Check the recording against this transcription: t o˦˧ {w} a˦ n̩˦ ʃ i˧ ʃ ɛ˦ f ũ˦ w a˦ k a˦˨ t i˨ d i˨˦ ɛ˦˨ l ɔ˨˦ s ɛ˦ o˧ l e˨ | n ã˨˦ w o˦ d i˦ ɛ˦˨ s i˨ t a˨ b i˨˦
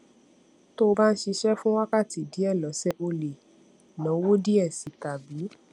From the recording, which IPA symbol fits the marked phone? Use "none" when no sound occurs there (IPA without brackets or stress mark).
b